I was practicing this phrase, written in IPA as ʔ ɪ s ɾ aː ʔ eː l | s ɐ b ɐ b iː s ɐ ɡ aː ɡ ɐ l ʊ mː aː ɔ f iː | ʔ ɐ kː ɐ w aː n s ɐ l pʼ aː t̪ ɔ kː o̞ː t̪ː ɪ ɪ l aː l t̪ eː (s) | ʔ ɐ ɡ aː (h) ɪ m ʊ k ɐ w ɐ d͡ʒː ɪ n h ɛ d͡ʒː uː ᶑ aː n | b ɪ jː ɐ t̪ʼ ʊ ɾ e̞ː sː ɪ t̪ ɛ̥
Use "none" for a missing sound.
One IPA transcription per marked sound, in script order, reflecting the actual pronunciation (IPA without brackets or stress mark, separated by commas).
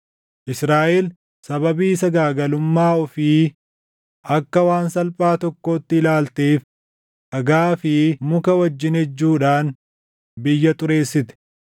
f, f